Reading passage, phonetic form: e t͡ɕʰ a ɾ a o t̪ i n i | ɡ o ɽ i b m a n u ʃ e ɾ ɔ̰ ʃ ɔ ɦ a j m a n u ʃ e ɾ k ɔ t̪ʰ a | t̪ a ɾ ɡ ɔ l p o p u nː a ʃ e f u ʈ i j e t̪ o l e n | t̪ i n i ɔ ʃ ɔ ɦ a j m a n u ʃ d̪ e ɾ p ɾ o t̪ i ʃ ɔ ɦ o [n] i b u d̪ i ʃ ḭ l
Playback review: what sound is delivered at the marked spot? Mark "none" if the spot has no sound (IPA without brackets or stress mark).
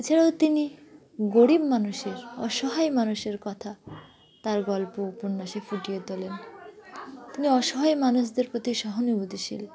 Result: n